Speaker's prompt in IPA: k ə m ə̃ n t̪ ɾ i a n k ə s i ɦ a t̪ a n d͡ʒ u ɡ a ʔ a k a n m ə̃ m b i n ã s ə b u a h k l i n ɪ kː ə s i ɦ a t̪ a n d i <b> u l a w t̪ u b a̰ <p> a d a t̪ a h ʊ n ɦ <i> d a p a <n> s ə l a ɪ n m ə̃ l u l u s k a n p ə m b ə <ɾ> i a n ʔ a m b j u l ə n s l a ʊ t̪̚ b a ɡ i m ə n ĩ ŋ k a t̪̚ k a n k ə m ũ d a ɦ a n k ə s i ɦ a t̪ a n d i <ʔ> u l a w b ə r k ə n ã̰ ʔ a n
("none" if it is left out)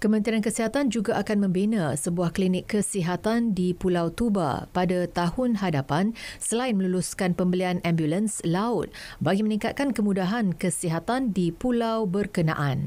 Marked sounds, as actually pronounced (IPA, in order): p, p, a, n, l, p

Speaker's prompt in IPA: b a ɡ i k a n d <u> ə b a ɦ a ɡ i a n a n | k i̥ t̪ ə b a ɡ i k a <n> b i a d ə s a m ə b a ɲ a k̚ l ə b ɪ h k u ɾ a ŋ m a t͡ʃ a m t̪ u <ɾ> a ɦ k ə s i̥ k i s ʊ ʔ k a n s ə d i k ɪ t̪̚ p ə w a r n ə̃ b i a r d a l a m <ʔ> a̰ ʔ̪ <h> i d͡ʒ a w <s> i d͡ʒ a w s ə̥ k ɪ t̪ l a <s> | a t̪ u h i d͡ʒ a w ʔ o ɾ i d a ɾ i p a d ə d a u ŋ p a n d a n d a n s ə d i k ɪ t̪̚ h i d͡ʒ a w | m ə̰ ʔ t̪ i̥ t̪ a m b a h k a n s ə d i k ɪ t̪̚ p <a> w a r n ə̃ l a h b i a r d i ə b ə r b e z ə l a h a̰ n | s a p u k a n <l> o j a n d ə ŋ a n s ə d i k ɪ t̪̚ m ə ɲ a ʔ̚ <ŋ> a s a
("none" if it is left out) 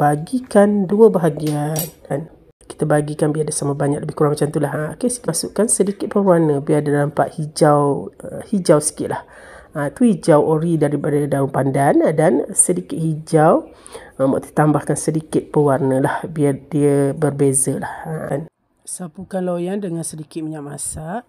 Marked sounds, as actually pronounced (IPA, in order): u, n, l, p, h, h, h, ə, l, m

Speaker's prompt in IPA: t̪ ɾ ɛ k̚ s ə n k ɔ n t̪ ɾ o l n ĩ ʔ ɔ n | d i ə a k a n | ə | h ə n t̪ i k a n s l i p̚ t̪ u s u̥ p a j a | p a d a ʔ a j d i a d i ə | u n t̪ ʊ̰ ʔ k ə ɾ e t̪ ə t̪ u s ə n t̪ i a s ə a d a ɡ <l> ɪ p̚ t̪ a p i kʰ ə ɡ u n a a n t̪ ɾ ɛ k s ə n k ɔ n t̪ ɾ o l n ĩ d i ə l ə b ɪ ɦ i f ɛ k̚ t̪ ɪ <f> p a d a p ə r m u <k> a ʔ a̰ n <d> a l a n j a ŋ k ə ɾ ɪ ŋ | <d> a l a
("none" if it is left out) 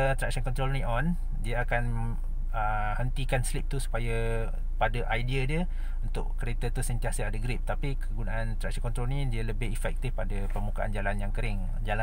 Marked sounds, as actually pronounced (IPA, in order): ɾ, f, k, d͡ʒ, d͡ʒ

